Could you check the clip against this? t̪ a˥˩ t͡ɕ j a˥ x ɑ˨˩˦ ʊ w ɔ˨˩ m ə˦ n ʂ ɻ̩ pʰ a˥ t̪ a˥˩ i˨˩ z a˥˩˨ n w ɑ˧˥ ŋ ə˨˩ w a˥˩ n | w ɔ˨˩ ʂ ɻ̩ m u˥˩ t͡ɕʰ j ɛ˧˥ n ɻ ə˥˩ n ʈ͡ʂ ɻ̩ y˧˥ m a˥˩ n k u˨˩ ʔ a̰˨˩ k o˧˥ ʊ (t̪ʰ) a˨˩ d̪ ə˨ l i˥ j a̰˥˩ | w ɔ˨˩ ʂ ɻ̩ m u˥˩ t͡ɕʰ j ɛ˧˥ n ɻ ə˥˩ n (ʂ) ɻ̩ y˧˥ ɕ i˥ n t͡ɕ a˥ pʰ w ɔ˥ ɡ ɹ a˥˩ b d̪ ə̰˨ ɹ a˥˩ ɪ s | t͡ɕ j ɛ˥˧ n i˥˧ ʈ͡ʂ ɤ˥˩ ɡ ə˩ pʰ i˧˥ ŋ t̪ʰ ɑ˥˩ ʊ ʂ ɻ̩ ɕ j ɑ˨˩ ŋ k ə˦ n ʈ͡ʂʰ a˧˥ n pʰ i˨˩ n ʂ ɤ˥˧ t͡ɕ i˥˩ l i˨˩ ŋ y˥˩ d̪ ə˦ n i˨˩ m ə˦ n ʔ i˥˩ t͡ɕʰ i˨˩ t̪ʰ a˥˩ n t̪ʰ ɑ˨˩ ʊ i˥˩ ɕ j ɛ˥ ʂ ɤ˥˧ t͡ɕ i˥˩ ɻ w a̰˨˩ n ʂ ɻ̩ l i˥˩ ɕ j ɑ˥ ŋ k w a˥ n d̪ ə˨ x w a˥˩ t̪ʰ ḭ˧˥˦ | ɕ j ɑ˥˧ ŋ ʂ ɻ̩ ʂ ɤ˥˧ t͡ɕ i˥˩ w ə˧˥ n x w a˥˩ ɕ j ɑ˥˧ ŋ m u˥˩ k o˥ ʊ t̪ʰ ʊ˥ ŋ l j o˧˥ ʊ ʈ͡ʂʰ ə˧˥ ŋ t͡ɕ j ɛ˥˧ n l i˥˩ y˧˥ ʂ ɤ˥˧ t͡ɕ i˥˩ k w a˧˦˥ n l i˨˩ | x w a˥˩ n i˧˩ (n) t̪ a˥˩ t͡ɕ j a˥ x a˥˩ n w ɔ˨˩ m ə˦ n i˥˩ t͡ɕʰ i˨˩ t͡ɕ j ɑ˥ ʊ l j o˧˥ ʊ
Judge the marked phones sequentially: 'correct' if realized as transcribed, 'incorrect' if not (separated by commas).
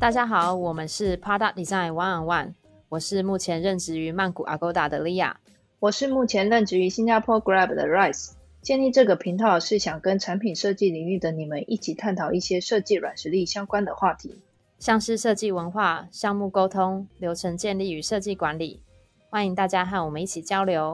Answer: incorrect, incorrect, incorrect